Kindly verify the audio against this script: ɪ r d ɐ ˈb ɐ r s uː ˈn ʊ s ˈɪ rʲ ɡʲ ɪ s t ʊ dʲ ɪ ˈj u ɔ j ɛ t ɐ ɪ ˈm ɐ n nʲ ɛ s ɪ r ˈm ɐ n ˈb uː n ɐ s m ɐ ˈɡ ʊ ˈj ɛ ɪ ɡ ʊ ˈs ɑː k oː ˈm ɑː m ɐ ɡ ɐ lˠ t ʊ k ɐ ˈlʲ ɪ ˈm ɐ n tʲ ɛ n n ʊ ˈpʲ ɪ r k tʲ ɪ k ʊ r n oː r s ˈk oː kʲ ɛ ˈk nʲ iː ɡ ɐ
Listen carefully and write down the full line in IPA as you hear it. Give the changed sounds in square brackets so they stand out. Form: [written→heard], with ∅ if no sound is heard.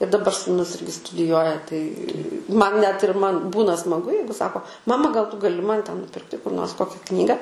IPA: ɪ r d ɐ ˈb ɐ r s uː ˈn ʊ s ˈɪ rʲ ɡʲ ɪ s t ʊ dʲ ɪ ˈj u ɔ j ɛ t ɐ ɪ ˈm ɐ n nʲ ɛ [s→t] ɪ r ˈm ɐ n ˈb uː n ɐ s m ɐ ˈɡ ʊ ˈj ɛ ɪ ɡ ʊ ˈs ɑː k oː ˈm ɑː m ɐ ɡ ɐ lˠ t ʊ [k→ɡ] ɐ ˈlʲ ɪ ˈm ɐ n tʲ ɛ n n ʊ ˈpʲ ɪ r k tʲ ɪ k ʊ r n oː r s ˈk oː kʲ ɛ ˈk nʲ iː ɡ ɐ